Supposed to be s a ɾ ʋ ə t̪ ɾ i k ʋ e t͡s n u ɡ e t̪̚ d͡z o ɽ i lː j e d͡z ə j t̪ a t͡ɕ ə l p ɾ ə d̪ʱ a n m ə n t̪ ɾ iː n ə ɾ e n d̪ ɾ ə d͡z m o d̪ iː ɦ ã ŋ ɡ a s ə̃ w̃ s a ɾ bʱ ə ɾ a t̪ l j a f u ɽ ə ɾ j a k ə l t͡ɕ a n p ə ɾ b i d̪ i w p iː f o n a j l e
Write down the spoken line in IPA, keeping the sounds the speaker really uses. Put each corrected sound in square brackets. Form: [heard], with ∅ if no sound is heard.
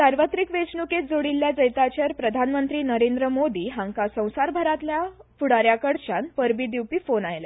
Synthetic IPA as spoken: s a ɾ ʋ ə t̪ ɾ i k ʋ e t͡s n u [k] e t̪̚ d͡z o ɽ i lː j [a] d͡z ə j t̪ a t͡ɕ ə [ɾ] p ɾ ə d̪ʱ a n m ə n t̪ ɾ iː n ə ɾ e n d̪ ɾ ə [∅] m o d̪ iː ɦ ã ŋ [k] a s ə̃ w̃ s a ɾ bʱ ə ɾ a t̪ l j a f u ɽ [a] ɾ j a k ə [ɽ] t͡ɕ a n p ə ɾ b i d̪ i w p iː f o n a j l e

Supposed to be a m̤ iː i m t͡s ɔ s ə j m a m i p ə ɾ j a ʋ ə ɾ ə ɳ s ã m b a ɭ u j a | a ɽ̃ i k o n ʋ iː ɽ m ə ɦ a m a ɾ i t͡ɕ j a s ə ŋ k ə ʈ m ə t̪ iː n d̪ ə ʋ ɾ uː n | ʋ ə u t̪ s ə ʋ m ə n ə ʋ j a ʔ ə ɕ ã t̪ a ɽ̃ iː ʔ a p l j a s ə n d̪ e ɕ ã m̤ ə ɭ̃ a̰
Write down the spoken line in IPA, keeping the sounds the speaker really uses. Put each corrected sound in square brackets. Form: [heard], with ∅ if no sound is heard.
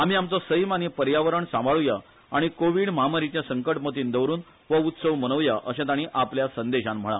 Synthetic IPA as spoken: a m̤ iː [a] m t͡s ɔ s ə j m a [n] i p ə ɾ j a ʋ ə ɾ ə ɳ s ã m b a ɭ u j a | a ɽ̃ i k o [∅] ʋ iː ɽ m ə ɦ a m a ɾ i t͡ɕ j a s ə ŋ k ə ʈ m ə t̪ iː n d̪ ə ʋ ɾ uː n | ʋ ə u t̪ s ə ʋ m ə n ə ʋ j a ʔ ə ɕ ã t̪ a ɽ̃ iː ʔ a p l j a s ə n d̪ e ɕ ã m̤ ə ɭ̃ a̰

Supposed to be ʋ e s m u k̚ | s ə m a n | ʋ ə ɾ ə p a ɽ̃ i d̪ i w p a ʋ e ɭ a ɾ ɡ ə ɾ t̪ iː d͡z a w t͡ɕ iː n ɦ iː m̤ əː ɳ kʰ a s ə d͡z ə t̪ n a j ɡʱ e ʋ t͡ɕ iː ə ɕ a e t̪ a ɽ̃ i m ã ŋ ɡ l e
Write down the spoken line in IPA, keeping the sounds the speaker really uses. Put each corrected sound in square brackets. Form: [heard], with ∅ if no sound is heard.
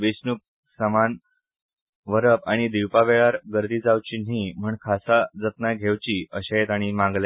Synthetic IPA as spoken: ʋ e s [n] u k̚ | s ə m a n | ʋ ə ɾ ə p a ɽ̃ i d̪ i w p a ʋ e ɭ a ɾ ɡ ə ɾ [d̪] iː d͡z a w t͡ɕ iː n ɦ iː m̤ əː ɳ kʰ a s [a] d͡z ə t̪ n a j ɡʱ e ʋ t͡ɕ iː ə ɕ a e t̪ a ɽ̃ i m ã ŋ ɡ l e

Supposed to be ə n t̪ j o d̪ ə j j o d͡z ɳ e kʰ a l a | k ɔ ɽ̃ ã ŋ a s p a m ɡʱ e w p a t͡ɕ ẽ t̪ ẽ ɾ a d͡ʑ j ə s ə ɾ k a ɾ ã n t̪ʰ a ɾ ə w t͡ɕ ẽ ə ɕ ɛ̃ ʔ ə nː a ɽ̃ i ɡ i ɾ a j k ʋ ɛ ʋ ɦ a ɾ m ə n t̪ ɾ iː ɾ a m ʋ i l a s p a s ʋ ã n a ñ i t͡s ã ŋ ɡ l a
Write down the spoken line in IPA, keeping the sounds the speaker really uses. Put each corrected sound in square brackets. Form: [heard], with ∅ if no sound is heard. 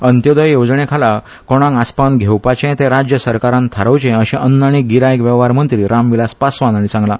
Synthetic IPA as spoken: ə n t̪ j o d̪ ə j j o d͡z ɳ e kʰ a l a | k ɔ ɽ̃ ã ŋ a s p a [n] ɡʱ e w p a t͡ɕ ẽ t̪ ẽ ɾ a d͡ʑ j ə s ə ɾ k a ɾ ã n t̪ʰ a ɾ ə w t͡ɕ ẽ ə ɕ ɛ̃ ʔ ə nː a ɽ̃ i ɡ i ɾ a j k ʋ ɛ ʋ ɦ a ɾ m ə n t̪ ɾ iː ɾ a m ʋ i l a s p a s ʋ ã n a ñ i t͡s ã ŋ ɡ l a

